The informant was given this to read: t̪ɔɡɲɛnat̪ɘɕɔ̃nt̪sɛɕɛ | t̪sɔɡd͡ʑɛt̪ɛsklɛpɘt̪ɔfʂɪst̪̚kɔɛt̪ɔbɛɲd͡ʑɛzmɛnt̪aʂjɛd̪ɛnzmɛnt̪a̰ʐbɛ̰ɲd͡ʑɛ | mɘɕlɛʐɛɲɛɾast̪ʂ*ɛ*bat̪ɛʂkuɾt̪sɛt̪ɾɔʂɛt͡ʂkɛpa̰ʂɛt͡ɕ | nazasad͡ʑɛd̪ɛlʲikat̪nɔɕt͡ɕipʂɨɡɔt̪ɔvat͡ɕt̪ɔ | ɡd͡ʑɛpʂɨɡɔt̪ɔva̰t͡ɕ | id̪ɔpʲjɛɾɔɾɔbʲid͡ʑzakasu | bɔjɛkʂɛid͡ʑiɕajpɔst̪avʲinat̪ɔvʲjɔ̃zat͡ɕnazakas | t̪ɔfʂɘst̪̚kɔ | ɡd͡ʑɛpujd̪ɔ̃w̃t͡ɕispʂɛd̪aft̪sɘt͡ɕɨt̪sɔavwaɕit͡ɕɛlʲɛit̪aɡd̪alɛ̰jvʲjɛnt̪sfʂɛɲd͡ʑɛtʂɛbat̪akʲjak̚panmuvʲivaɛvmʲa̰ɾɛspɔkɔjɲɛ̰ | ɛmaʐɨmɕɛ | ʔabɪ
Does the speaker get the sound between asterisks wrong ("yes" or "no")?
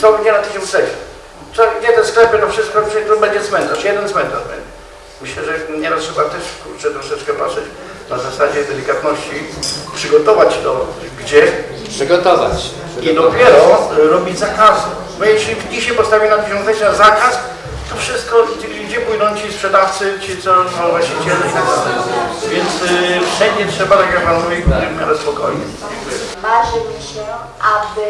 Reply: no